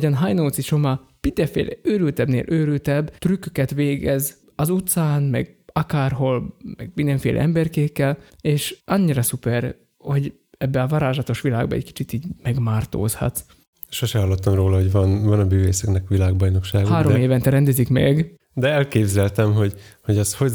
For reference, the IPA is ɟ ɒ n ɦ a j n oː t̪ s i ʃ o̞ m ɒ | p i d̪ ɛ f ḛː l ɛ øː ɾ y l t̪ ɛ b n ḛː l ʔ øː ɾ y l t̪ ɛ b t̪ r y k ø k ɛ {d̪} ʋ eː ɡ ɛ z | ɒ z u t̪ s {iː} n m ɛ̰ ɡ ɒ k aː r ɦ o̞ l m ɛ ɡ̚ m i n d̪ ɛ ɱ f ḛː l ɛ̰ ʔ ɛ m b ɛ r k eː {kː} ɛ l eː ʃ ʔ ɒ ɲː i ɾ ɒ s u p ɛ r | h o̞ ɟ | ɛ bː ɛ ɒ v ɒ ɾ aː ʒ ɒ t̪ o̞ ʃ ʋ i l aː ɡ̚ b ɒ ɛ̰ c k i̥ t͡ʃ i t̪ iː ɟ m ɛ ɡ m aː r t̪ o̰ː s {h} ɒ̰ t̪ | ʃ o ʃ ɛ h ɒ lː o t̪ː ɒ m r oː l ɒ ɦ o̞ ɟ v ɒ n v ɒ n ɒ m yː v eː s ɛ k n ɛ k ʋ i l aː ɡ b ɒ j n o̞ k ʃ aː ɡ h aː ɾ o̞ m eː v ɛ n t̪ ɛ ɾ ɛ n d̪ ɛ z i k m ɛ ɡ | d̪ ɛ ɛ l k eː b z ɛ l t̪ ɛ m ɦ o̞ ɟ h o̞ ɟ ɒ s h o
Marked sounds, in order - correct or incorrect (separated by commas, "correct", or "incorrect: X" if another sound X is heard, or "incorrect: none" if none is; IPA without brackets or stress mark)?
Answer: incorrect: t̪, incorrect: aː, correct, correct